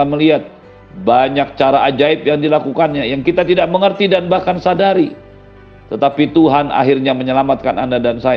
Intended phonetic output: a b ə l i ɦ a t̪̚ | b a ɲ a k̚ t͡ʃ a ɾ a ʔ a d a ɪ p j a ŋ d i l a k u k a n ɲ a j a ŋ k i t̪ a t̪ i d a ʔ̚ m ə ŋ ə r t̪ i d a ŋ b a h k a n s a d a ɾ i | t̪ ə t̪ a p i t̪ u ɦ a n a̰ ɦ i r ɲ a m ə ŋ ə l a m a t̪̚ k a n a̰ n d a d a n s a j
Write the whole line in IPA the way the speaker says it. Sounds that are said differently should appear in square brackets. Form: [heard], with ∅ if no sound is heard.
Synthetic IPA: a [m] ə l i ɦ a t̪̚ | b a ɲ a k̚ t͡ʃ a ɾ a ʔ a [d͡ʒ] a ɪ p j a ŋ d i l a k u k a n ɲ a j a ŋ k i t̪ a t̪ i d a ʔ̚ m ə ŋ ə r t̪ i d a [n] b a h k a n s a d a ɾ i | t̪ ə t̪ a p i t̪ u ɦ a n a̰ ɦ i r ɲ a m ə [ɲ] ə l a m a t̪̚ k a n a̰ n d a d a n s a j